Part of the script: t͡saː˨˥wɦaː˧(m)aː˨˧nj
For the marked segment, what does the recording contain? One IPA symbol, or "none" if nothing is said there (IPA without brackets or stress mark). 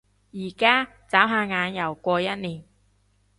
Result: ŋ